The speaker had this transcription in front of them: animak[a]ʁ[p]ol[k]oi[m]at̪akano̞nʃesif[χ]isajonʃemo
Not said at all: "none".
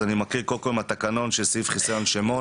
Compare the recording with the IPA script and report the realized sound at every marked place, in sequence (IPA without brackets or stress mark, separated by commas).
i, k, k, m, χ